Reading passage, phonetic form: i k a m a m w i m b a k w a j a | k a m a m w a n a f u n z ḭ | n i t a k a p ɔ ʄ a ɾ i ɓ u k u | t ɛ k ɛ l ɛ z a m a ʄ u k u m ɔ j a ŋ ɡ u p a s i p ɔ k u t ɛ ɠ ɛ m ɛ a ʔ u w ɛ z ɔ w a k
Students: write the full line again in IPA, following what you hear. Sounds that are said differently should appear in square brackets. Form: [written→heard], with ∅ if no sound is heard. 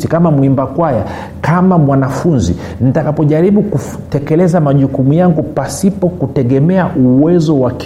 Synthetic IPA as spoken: i k a m a m w i m b a k w a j a | k a m a m w a n a f u n z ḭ | n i t a k a p ɔ ʄ a ɾ i ɓ u k u | t ɛ k ɛ l ɛ z a m a ʄ u k u m [ɔ→u] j a ŋ ɡ u p a s i p ɔ k u t ɛ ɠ ɛ m ɛ a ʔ u w ɛ z ɔ w a k